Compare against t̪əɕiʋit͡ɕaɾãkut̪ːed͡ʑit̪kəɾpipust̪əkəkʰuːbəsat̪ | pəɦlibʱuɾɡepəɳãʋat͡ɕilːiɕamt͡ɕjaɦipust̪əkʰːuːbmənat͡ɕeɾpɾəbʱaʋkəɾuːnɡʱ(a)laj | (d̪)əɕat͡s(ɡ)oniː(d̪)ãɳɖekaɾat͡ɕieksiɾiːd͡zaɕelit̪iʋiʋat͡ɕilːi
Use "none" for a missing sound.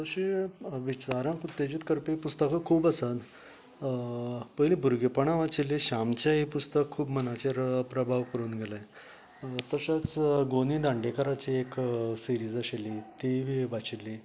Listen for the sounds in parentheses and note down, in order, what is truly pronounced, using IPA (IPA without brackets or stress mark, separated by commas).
e, t̪, ɡ, d̪